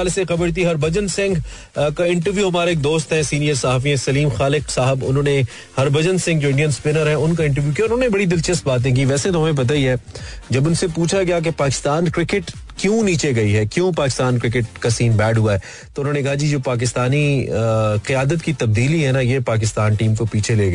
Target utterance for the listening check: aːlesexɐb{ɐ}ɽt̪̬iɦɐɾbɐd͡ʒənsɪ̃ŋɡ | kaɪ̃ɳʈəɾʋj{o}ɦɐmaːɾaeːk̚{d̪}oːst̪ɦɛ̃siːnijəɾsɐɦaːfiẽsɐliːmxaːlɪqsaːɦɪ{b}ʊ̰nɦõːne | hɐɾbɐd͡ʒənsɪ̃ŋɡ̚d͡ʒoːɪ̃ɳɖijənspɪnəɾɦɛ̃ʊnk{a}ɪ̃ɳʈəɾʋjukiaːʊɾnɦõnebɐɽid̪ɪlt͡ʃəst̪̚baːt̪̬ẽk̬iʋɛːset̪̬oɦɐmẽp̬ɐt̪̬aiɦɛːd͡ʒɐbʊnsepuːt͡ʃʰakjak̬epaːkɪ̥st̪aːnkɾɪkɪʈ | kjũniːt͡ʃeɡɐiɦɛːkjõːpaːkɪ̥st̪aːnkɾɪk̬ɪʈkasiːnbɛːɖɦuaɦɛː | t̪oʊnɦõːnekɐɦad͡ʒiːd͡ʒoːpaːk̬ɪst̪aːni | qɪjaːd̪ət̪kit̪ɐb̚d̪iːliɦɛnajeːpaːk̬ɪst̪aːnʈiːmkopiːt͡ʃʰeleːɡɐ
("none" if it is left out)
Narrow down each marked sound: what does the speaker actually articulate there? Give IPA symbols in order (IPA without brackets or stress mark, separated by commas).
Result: ə, u, d̪, b, a